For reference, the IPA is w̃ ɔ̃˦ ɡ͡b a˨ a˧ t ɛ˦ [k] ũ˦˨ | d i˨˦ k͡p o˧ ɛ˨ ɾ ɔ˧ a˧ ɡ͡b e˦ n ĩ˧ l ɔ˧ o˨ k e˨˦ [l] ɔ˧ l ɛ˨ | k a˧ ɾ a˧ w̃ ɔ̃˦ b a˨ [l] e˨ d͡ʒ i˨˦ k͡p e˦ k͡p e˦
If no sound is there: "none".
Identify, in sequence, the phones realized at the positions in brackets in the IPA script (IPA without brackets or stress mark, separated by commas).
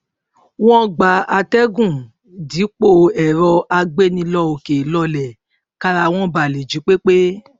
ɡ, l, l